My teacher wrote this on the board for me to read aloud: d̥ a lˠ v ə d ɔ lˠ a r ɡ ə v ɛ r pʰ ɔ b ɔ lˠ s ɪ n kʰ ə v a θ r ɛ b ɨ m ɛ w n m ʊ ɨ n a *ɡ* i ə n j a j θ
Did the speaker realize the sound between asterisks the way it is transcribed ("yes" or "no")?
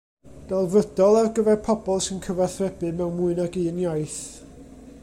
yes